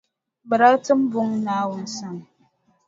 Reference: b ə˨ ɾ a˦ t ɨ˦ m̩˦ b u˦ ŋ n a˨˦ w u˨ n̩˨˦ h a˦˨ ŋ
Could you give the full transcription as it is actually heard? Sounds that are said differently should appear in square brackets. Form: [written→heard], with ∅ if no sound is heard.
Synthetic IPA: b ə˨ ɾ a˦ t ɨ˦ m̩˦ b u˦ ŋ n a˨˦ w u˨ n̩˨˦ [h→s] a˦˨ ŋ